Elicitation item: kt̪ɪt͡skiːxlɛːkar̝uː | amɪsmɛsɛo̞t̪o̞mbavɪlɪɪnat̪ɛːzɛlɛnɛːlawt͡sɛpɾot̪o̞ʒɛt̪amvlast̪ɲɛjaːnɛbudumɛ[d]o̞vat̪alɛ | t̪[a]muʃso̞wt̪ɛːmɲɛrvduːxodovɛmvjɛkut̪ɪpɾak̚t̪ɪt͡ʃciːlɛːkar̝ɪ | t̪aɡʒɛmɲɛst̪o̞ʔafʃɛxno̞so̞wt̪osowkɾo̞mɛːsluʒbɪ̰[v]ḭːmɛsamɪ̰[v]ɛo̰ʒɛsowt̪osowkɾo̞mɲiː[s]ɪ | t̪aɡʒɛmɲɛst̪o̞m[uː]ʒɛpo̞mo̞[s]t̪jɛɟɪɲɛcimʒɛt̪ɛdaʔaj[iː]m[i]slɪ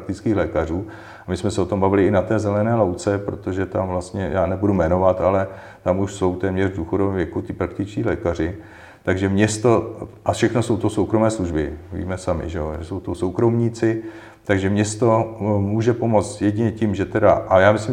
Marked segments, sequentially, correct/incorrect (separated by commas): incorrect, correct, correct, incorrect, incorrect, correct, incorrect, incorrect, incorrect